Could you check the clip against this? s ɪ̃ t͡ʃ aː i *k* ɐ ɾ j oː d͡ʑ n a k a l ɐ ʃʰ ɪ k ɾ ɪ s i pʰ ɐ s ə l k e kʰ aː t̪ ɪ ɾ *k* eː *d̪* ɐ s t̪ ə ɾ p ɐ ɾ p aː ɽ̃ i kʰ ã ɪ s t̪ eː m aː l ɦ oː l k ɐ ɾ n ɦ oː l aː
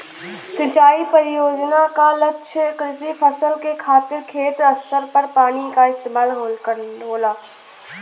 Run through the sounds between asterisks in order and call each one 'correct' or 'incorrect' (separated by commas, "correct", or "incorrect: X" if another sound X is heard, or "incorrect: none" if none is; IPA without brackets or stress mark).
incorrect: p, incorrect: kʰ, incorrect: t̪